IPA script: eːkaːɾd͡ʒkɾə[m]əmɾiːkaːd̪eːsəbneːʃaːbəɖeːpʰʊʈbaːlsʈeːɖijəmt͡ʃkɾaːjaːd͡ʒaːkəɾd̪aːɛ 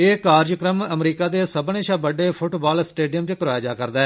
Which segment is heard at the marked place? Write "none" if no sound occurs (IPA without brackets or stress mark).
m